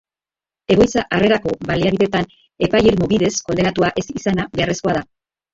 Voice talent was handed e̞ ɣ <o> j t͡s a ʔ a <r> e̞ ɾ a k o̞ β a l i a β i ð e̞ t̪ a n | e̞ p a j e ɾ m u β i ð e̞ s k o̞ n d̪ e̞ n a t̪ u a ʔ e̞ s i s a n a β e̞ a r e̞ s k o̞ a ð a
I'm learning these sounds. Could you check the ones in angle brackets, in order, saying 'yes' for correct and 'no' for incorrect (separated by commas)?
yes, yes